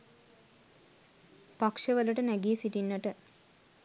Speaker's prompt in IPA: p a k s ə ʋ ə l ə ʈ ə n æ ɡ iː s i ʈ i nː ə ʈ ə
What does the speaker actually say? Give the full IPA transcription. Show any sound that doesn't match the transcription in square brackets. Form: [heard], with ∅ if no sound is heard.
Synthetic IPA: p a k [ʂ] ə ʋ ə l ə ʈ ə n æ ɡ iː s i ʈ i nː ə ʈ ə

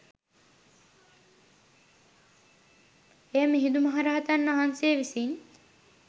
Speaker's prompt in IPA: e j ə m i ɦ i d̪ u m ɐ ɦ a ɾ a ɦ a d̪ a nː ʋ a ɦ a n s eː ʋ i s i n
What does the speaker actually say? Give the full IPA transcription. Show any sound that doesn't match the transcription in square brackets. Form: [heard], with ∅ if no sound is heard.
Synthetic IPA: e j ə m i ɦ i d̪ u m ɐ ɦ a ɾ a ɦ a [t̪] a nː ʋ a ɦ a n s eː ʋ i s i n

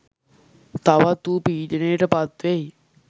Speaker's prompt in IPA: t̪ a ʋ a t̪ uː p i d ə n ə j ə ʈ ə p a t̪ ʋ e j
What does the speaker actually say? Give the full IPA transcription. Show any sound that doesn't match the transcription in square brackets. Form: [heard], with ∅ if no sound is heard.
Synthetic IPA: t̪ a ʋ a t̪ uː p [iː] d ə n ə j ə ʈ ə p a t̪ ʋ e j

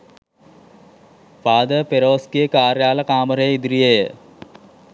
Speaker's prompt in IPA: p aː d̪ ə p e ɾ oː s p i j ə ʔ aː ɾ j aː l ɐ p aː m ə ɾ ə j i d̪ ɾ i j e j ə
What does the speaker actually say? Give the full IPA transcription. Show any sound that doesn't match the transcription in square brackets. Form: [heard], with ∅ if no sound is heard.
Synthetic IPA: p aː d̪ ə p e ɾ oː s [k] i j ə [k] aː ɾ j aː l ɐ [k] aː m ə ɾ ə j i d̪ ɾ i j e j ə

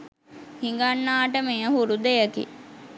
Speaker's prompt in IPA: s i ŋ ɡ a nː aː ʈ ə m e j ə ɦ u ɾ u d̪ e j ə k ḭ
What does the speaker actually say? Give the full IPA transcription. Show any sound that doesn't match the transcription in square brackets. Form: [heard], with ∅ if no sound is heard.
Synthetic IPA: [h] i ŋ ɡ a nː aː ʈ ə m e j ə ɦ u ɾ u d̪ e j ə k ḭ

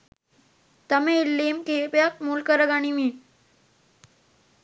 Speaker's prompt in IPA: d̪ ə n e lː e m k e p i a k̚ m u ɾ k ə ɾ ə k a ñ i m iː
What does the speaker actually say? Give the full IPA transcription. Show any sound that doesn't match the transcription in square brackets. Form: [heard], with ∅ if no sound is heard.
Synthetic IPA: [t̪] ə [m] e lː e m k e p [j] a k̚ m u [l] k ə ɾ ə [ɡ] a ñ i m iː

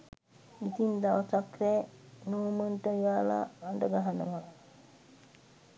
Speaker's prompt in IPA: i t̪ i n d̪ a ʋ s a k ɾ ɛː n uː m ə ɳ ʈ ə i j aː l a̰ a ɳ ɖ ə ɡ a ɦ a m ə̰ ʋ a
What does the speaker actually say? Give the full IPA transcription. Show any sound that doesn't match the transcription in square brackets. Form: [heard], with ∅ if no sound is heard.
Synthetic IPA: i t̪ i n d̪ a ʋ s a k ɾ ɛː n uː m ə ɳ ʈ ə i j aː l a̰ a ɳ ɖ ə ɡ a ɦ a [n] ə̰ ʋ a

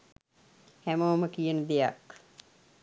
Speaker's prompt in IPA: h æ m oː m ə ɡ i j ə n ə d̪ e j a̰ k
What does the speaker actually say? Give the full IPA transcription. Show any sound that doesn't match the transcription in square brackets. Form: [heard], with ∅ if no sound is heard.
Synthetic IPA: h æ m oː m ə [k] i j ə n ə d̪ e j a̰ k

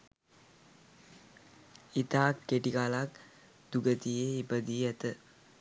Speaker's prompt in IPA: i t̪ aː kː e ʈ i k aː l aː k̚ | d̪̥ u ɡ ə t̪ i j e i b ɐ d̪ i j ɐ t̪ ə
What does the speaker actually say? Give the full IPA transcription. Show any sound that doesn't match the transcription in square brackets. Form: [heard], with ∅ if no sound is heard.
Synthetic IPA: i t̪ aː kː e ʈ i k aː l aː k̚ | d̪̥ u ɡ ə t̪ i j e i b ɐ d̪ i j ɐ t̪ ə

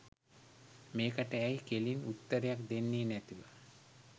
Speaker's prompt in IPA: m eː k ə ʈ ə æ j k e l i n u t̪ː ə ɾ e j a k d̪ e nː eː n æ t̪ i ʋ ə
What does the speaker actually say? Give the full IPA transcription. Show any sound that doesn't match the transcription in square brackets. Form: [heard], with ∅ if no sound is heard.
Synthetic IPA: m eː k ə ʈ ə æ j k e l i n u t̪ː ə ɾ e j a k d̪ e nː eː n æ t̪ i ʋ ə

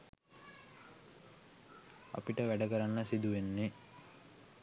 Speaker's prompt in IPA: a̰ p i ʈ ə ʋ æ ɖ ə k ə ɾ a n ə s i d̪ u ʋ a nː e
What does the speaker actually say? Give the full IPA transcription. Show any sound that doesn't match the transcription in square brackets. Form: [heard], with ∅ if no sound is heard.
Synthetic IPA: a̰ p i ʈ ə ʋ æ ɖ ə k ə ɾ a [nː] ə s i d̪ u ʋ [e] nː e

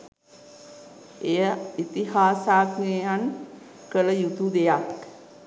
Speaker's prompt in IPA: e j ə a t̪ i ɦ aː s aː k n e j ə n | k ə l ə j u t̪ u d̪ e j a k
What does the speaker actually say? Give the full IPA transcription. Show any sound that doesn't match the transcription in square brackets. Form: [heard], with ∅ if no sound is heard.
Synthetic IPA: e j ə [i] t̪ i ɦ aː s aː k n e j [a] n | k ə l ə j u t̪ u d̪ e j a k

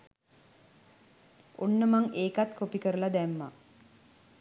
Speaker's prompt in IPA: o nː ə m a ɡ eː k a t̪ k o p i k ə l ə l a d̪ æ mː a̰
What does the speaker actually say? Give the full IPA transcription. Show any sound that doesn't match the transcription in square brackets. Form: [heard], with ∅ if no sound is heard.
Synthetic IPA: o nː ə m a [ŋ] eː k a t̪ k o p i k ə [ɾ] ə l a d̪ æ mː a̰

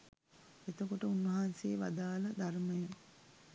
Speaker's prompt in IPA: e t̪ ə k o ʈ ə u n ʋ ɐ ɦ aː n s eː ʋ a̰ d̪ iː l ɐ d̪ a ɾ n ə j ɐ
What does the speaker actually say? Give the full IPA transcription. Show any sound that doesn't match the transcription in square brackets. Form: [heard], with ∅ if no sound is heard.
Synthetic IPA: e t̪ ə k o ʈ ə u n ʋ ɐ ɦ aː n s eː ʋ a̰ d̪ [aː] l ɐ d̪ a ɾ [m] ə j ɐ

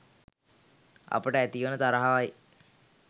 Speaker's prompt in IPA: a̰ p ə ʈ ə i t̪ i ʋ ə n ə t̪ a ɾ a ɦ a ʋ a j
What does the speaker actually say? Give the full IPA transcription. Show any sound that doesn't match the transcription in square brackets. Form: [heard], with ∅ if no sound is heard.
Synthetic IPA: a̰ p ə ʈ ə [æ] t̪ i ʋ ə n ə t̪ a ɾ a ɦ a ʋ a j

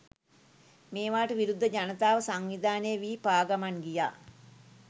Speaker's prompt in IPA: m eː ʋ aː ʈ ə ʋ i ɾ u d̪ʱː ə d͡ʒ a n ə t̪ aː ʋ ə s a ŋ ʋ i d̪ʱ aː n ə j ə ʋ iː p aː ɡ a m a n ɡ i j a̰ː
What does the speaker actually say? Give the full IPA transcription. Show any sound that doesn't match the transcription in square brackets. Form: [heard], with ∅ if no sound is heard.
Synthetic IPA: m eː ʋ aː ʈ ə ʋ i ɾ u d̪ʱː ə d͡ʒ a n ə t̪ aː ʋ ə s a ŋ ʋ i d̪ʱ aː n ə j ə ʋ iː p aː ɡ a m a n ɡ i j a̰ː

